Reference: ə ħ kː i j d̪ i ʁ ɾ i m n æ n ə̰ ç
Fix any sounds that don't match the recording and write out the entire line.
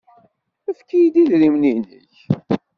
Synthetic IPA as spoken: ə f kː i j d̪ i ð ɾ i m n i n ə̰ ç